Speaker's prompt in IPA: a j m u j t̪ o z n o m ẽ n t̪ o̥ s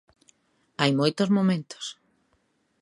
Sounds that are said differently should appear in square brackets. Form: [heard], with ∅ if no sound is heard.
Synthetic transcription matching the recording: a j m [o] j t̪ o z [m] o m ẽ n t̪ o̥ s